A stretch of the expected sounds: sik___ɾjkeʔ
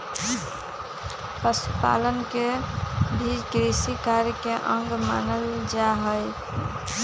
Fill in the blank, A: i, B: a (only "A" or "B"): B